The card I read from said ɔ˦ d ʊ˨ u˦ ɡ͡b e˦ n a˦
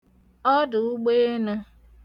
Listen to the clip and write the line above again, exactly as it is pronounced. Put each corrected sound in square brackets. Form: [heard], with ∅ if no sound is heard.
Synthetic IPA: ɔ˦ d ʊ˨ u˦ ɡ͡b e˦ n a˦